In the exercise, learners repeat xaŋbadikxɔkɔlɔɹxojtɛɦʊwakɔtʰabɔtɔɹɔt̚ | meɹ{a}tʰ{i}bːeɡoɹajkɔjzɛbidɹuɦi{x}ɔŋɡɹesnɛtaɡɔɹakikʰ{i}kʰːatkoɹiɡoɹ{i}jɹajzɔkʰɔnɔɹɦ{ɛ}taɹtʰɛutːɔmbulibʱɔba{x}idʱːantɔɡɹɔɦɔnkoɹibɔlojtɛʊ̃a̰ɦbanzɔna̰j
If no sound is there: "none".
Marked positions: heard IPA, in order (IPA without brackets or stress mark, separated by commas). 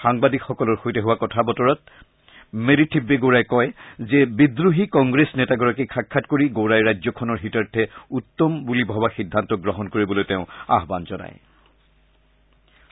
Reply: i, i, k, a, a, i, x